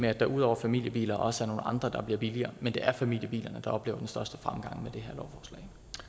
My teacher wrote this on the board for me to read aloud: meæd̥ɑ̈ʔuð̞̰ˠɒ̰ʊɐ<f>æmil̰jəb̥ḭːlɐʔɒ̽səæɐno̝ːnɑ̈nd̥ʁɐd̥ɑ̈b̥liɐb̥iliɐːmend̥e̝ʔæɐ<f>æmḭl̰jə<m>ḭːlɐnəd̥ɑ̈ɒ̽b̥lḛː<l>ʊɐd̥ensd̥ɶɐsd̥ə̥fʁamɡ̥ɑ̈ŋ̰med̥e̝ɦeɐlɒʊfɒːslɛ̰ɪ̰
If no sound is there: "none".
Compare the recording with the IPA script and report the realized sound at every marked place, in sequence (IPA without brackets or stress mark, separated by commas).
f, f, b, none